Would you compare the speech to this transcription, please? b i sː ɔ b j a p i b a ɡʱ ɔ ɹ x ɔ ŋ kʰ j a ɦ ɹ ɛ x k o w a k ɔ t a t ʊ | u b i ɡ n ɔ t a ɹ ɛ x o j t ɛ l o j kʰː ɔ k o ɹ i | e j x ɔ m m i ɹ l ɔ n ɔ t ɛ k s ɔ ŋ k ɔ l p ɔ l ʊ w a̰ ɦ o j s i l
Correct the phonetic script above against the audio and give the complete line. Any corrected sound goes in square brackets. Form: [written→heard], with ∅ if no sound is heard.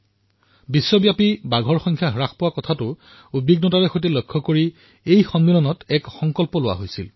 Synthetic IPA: b i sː ɔ b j a p i b a ɡʱ ɔ ɹ x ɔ ŋ kʰ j a ɦ ɹ [ɛ→a] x [k→p] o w a k ɔ [t→tʰ] a t ʊ | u b i ɡ n ɔ t a ɹ ɛ x o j t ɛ l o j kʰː ɔ k o ɹ i | e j x ɔ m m i [ɹ→∅] l ɔ n ɔ t ɛ k [s→x] ɔ ŋ k ɔ l p ɔ l ʊ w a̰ ɦ o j s i l